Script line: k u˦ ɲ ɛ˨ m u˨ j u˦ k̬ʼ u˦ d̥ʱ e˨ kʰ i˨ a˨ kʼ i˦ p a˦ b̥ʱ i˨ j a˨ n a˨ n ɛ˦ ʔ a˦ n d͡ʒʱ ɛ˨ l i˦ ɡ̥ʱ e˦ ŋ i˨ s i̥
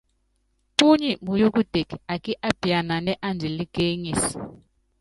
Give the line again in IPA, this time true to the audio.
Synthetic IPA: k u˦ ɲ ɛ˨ m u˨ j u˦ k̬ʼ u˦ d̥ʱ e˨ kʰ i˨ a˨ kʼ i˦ ʔ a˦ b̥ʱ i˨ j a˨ n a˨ n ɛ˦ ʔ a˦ n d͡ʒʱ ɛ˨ l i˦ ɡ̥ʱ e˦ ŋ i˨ s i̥